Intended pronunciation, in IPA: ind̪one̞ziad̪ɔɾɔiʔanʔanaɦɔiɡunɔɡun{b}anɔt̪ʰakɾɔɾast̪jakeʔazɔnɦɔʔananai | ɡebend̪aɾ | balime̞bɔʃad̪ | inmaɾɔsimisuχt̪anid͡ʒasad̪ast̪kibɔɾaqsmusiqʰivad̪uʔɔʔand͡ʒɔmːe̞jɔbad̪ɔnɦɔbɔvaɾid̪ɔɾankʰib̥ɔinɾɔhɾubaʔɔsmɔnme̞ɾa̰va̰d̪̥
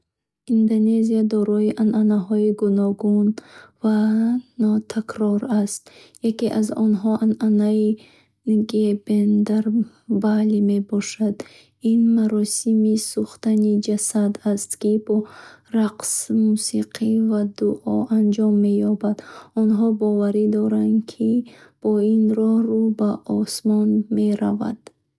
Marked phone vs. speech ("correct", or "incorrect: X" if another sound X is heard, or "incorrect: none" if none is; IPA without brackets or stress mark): incorrect: v